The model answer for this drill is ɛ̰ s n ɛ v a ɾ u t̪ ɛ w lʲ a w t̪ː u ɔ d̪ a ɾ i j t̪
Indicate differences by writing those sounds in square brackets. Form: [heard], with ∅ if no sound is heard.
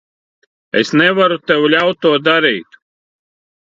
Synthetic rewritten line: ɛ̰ s n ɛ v a ɾ u t̪ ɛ w lʲ a w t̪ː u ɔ d̪ a ɾ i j t̪